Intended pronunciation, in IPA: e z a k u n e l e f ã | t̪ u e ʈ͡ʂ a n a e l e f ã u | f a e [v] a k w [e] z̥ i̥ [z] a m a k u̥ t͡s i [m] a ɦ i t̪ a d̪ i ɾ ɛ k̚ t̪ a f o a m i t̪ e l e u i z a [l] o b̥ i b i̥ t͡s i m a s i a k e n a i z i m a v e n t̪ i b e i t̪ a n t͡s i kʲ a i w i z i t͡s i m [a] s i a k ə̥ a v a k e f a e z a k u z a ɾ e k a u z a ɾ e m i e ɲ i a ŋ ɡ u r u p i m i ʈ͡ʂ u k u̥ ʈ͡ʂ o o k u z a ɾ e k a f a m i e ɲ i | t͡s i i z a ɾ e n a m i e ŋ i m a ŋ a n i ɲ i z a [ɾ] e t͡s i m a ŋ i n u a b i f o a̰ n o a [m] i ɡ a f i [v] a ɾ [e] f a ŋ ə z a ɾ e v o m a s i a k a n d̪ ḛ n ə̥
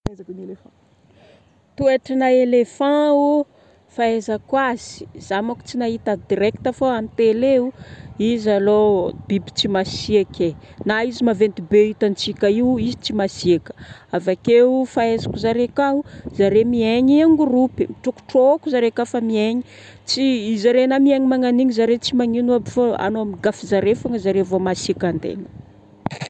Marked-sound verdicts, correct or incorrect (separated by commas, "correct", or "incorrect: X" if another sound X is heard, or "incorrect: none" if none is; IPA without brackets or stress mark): incorrect: z, incorrect: a, correct, incorrect: n, correct, correct, correct, correct, incorrect: z, correct